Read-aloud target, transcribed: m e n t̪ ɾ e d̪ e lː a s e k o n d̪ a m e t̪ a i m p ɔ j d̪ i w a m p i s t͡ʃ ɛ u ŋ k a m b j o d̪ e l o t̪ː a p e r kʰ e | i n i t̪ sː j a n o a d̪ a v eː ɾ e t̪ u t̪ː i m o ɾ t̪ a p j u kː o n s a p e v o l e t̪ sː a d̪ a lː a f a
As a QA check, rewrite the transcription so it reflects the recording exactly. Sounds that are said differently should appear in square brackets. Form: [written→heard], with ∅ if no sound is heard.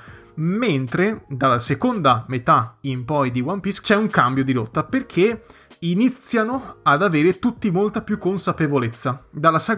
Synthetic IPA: m e n t̪ ɾ e d̪ [e→a] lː a s e k o n d̪ a m e t̪ a i m p ɔ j d̪ i w a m p i s t͡ʃ ɛ u ŋ k a m b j o d̪ [e→i] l o t̪ː a p e r kʰ e | i n i t̪ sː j a n o a d̪ a v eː ɾ e t̪ u t̪ː i m o [ɾ→l] t̪ a p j u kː o n s a p e v o l e t̪ sː a d̪ a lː a [f→s] a